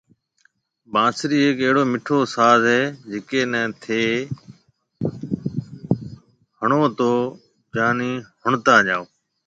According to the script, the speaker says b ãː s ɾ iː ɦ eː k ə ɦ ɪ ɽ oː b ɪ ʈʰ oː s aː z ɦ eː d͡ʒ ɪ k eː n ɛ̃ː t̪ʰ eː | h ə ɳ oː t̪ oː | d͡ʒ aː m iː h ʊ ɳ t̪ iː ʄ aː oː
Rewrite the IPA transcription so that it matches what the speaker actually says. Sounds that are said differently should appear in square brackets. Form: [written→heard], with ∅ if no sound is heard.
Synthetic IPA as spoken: b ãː s ɾ iː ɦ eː k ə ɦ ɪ ɽ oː [b→m] ɪ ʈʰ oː s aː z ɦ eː d͡ʒ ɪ k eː n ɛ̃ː t̪ʰ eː | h ə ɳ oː t̪ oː | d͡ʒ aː [m→n] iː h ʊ ɳ t̪ [iː→aː] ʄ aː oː